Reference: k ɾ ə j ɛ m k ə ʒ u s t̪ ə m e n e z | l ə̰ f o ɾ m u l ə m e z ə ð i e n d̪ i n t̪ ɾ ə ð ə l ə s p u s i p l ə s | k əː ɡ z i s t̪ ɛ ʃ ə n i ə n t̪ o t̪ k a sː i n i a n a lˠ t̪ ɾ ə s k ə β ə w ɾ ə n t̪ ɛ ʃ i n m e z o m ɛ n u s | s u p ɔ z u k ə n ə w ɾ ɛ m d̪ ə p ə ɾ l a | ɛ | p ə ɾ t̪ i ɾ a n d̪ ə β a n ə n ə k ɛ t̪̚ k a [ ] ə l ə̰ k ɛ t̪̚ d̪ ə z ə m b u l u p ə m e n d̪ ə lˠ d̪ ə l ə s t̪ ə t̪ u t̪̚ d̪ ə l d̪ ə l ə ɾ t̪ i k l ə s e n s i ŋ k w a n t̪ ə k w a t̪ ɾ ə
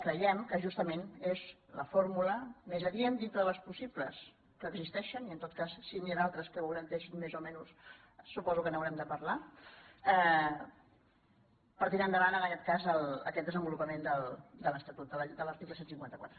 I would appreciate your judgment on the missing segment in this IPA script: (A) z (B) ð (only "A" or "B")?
A